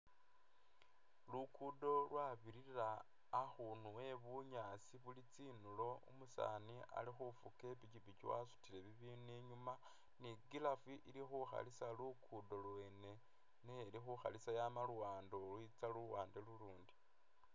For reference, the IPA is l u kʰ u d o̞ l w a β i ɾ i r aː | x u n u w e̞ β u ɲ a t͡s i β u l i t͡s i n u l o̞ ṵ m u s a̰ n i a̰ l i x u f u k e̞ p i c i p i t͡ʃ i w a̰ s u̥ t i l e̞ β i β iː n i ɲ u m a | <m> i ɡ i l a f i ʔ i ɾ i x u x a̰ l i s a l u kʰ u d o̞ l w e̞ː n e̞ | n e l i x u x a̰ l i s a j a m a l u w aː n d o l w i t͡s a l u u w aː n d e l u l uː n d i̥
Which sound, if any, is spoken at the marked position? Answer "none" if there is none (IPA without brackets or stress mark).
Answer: n